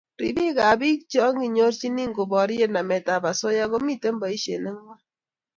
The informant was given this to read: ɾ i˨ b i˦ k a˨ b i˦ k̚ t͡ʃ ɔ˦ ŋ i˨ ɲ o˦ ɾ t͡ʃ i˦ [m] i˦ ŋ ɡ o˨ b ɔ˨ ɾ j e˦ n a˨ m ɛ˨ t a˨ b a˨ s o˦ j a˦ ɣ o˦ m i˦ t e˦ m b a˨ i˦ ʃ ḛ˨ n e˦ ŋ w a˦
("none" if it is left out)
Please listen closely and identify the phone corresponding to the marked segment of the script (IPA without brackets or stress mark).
n